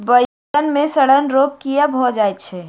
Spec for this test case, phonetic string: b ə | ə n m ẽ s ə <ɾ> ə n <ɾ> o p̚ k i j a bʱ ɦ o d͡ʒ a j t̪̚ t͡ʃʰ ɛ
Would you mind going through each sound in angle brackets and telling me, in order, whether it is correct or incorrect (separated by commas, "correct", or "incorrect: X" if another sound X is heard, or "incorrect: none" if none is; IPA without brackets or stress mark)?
incorrect: ɽ, correct